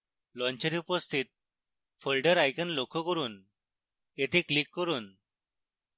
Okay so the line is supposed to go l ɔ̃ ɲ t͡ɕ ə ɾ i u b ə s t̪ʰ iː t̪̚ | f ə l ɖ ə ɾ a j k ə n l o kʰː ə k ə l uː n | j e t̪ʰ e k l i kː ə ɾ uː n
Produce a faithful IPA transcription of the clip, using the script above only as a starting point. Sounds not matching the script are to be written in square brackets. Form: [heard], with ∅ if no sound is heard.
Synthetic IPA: l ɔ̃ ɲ t͡ɕ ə ɾ i u [p] ə s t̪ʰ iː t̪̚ | f ə l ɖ ə ɾ a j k ə n l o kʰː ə k ə [ɾ] uː n | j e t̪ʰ e k l i kː ə ɾ uː n